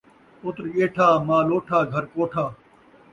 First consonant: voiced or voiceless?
voiceless